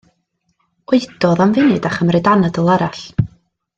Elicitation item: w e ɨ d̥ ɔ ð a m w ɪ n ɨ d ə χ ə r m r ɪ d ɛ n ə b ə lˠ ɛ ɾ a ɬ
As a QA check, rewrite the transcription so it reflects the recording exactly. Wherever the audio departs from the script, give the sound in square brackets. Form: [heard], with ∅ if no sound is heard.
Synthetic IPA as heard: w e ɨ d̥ ɔ ð a m [v] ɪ n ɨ d [a] χ ə [∅] m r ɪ d [a] n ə [d] ə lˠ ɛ ɾ a ɬ